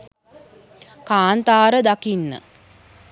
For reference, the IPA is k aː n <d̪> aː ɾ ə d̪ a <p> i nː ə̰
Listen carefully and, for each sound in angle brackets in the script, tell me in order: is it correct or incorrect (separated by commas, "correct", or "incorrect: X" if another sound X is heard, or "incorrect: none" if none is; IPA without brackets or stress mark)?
incorrect: t̪, incorrect: k